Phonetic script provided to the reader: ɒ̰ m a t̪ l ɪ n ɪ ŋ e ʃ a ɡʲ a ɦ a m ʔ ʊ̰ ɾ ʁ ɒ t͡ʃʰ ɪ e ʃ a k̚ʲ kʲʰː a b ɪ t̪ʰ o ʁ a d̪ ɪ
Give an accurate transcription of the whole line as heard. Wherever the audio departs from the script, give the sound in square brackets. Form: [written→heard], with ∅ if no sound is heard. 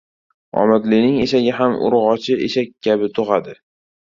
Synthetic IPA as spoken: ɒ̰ m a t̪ l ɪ n ɪ ŋ e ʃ a ɡʲ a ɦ a m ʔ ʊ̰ ɾ ʁ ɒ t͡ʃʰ ɪ e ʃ a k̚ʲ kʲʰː a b ɪ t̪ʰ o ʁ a d̪ ɪ

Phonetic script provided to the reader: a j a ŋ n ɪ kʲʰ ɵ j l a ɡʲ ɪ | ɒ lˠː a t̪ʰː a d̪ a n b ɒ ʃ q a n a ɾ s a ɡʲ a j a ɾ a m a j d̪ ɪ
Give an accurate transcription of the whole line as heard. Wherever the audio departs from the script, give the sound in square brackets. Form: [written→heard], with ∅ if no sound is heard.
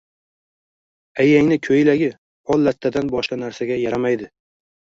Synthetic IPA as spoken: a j a ŋ n ɪ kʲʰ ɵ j l a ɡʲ ɪ | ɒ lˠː a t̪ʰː a d̪ a n b ɒ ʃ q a n a ɾ s a ɡʲ a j a ɾ a m a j d̪ ɪ

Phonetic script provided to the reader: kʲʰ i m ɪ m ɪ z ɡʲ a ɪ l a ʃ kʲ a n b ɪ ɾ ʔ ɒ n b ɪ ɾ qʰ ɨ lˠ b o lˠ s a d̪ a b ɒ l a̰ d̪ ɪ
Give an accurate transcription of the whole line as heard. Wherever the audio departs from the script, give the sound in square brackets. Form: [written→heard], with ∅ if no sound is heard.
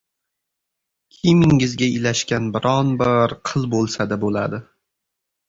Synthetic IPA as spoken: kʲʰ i m ɪ [m→ŋ] ɪ z ɡʲ a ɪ l a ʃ kʲ a n b ɪ ɾ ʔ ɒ n b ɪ ɾ qʰ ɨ lˠ b o lˠ s a d̪ a b [ɒ→o] l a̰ d̪ ɪ

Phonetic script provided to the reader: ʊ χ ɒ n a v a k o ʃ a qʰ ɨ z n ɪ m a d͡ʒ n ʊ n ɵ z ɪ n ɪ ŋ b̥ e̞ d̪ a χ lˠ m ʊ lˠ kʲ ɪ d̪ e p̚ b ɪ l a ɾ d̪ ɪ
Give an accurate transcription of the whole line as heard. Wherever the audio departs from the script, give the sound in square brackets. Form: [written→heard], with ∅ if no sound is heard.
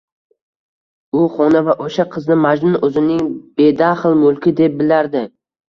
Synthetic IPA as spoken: ʊ χ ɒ n a v a [k→ʔ] o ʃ a qʰ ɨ z n ɪ m a d͡ʒ n ʊ n ɵ z ɪ n ɪ ŋ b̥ e̞ d̪ a χ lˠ m ʊ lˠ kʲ ɪ d̪ e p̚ b ɪ l a ɾ d̪ ɪ

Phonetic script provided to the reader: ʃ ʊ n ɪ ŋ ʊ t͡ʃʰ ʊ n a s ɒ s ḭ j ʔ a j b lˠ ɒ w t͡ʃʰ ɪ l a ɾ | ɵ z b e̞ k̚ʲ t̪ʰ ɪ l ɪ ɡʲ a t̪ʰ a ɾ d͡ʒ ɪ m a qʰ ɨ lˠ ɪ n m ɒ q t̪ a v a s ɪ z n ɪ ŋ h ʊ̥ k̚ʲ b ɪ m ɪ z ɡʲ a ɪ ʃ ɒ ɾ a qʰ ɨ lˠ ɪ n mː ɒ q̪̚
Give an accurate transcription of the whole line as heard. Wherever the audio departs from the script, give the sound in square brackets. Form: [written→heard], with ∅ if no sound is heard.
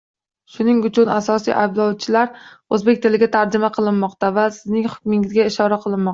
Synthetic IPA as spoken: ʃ ʊ n ɪ ŋ ʊ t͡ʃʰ ʊ n a s ɒ s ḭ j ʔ a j b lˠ ɒ w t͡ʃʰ ɪ l a ɾ | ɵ z b e̞ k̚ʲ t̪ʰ ɪ l ɪ ɡʲ a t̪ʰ a ɾ d͡ʒ ɪ m a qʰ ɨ lˠ ɪ n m ɒ q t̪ a v a s ɪ z n ɪ ŋ h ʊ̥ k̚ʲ [b→m] ɪ [m→ŋ] ɪ z ɡʲ a ɪ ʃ ɒ ɾ a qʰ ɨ lˠ ɪ n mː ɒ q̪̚

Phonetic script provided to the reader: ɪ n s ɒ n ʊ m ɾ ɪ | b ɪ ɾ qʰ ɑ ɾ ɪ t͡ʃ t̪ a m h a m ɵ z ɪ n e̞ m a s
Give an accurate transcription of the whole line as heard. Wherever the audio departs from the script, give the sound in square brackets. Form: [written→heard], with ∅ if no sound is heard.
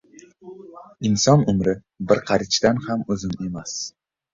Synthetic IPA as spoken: ɪ n s ɒ n ʊ m ɾ ɪ | b ɪ ɾ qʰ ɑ ɾ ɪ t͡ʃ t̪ a [m→n] h a m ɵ z ɪ n e̞ m a s

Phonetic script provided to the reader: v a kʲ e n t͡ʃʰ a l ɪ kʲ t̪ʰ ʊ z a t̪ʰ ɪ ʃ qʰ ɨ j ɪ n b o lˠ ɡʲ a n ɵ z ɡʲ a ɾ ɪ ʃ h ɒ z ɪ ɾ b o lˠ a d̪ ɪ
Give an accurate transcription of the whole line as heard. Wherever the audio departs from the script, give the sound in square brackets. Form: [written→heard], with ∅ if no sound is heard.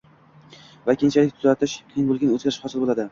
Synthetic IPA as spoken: v a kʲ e n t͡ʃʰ a l ɪ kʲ t̪ʰ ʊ z a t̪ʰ ɪ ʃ qʰ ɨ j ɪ n b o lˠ ɡʲ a n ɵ z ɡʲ a ɾ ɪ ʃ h ɒ [z→s] ɪ [ɾ→l] b o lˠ a d̪ ɪ

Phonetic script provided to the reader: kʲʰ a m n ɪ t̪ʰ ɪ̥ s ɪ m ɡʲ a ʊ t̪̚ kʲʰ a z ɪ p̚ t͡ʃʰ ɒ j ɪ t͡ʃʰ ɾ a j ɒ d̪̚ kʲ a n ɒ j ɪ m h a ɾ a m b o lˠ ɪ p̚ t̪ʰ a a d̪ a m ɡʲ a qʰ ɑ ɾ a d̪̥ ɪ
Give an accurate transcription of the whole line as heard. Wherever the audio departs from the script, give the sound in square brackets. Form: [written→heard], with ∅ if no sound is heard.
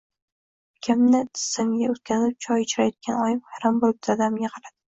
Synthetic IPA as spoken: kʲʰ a m n ɪ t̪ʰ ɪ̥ s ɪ m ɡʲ a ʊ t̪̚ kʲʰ a z ɪ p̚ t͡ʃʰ ɒ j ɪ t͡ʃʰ ɾ a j ɒ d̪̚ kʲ a n ɒ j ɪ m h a ɾ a m b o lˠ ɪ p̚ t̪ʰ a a d̪ a m ɡʲ a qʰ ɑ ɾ a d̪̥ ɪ

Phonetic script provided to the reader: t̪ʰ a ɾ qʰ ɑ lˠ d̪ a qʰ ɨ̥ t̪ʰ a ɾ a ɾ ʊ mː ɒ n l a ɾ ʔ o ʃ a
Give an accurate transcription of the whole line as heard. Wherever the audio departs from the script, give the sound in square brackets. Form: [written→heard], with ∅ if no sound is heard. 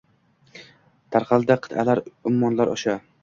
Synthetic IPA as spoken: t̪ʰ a ɾ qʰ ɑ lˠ d̪ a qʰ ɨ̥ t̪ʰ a [ɾ→l] a ɾ ʊ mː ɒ n l a ɾ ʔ [o→ɒ] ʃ a

